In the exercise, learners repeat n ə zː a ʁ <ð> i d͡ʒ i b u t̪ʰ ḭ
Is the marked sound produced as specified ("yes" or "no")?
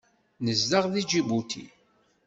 yes